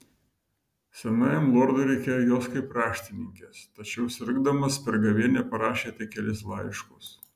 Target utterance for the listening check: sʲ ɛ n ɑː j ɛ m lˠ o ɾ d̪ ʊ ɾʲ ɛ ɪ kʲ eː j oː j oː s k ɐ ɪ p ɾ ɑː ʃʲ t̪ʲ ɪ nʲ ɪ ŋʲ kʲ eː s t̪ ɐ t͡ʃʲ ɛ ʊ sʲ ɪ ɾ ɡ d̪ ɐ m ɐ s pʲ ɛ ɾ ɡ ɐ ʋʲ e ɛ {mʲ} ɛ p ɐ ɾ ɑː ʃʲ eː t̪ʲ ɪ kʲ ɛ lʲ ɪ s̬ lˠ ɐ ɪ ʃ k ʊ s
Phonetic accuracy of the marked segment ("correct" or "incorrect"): incorrect